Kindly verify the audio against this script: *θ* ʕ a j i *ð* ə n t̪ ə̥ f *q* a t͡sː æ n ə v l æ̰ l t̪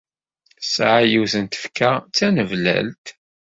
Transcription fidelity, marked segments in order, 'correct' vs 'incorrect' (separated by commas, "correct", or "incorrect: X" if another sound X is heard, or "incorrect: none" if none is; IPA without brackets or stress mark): incorrect: s, incorrect: θ, incorrect: k